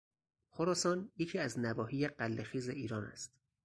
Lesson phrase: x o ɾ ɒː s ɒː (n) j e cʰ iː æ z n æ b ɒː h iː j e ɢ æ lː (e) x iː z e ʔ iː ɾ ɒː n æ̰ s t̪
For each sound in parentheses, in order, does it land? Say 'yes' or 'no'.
yes, yes

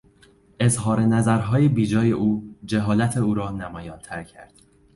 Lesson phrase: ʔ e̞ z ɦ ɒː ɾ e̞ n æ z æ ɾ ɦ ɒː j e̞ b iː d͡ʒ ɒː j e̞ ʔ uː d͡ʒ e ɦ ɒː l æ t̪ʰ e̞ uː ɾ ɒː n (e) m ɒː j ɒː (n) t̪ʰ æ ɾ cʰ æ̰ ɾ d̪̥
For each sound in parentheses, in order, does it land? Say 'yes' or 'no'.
no, yes

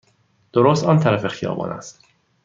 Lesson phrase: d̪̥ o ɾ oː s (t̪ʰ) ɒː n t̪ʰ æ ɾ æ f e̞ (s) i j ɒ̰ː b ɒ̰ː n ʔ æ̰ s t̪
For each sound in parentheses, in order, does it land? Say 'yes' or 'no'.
no, no

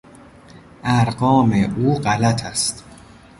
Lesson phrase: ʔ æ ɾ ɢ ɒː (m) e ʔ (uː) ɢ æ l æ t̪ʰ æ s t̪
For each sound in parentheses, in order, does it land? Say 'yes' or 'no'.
yes, yes

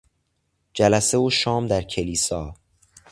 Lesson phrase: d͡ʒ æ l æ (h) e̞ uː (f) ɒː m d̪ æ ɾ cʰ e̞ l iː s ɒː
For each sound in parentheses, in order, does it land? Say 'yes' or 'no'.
no, no

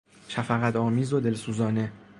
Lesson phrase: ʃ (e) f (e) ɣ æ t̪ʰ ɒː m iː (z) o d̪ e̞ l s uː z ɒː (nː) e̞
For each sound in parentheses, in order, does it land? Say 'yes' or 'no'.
no, no, yes, no

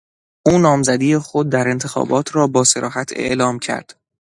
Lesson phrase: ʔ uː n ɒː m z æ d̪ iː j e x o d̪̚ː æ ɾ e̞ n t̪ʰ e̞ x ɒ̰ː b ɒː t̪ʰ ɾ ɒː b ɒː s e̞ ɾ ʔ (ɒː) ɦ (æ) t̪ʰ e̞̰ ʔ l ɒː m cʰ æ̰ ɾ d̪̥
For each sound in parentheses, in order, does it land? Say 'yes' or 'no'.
yes, yes

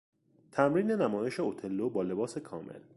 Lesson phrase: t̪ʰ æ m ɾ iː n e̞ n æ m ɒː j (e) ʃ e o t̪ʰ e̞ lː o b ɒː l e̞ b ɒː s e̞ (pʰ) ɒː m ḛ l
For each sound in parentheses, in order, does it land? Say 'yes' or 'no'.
yes, no

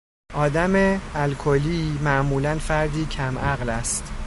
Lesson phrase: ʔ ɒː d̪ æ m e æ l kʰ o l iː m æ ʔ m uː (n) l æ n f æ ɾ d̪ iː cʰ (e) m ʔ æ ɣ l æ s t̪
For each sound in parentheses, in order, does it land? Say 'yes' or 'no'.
no, no

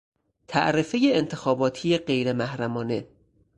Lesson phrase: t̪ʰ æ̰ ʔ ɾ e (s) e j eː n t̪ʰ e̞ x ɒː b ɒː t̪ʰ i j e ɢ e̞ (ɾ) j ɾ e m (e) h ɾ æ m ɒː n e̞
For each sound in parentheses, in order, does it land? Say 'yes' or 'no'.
no, no, no

